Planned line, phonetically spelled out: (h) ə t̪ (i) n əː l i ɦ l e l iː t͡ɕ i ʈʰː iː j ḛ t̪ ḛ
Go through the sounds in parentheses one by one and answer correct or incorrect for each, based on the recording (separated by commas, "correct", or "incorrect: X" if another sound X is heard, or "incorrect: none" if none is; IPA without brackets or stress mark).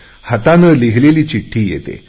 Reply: correct, incorrect: a